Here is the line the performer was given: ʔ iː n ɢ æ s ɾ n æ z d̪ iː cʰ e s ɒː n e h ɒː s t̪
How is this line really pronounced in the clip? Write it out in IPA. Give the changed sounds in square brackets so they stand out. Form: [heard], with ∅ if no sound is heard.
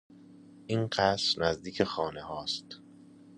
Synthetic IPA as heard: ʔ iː n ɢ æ s ɾ n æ z d̪ iː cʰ e [x] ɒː n e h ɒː s t̪